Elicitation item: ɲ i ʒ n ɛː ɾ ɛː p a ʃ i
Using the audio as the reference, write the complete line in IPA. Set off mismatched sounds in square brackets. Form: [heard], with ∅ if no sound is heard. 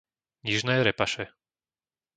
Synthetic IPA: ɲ i ʒ n ɛː ɾ [ɛ] p a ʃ [ɛ]